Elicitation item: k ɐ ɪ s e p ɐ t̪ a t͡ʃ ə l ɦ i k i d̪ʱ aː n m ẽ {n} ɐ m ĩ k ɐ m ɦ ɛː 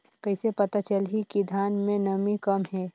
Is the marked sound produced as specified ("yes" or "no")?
yes